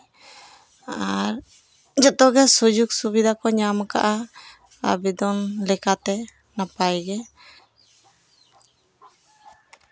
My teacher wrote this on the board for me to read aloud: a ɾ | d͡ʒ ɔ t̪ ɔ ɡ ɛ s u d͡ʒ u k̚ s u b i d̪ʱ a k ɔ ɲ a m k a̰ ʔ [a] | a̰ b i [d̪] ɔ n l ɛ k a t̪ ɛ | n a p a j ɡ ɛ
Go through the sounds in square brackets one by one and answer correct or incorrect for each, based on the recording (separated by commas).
correct, correct